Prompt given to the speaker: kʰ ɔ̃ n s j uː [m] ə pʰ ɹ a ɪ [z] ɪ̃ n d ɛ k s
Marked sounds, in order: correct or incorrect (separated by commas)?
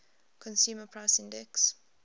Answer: correct, incorrect